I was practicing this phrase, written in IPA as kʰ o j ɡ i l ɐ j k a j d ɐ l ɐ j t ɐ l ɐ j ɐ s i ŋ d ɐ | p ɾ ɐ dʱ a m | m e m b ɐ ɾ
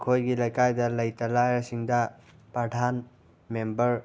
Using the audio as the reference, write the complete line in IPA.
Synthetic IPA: kʰ o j ɡ i l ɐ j k a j d ɐ l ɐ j t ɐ l a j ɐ s i ŋ d ɐ | p ɾ ɐ dʱ a n | m e m b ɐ ɾ